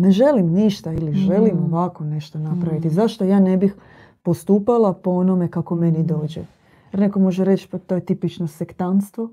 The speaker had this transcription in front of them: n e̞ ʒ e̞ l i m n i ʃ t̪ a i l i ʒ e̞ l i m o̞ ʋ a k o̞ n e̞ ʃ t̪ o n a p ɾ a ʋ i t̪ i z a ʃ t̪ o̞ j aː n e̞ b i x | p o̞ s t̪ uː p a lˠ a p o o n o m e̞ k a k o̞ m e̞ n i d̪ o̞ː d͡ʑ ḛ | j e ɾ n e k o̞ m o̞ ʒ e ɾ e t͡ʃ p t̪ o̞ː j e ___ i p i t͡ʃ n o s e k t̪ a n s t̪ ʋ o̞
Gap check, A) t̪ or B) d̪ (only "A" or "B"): A